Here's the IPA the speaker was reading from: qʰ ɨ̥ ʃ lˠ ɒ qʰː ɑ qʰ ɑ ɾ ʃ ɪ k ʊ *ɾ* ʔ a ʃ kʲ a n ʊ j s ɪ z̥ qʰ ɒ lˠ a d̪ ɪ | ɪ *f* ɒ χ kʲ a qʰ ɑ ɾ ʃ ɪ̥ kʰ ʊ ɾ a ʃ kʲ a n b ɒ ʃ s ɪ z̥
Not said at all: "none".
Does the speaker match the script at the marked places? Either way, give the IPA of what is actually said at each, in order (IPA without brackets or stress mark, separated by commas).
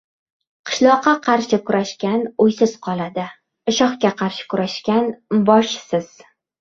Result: ɾ, ʃ